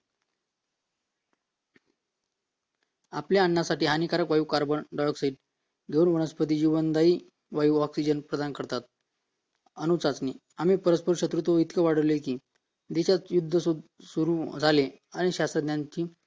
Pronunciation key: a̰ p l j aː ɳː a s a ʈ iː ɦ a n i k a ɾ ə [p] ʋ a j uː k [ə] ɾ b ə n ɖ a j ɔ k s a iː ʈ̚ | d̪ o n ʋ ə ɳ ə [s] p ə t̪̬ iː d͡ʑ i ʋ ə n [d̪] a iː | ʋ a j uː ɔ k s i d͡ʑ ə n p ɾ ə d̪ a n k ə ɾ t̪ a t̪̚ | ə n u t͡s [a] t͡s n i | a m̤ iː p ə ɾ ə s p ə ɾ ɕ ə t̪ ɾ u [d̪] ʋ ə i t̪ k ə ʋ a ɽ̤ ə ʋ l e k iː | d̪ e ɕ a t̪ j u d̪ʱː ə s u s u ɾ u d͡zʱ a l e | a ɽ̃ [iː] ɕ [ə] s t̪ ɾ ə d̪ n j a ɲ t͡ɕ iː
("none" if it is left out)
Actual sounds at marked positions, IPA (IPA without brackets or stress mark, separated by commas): k, a, s, d̪, a, t̪, i, a